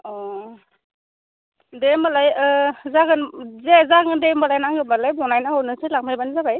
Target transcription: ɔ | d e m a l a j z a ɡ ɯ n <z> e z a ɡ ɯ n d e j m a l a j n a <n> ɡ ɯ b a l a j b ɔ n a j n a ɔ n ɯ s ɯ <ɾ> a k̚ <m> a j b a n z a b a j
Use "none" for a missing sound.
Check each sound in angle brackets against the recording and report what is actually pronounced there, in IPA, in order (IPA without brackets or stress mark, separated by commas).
z, ŋ, l, m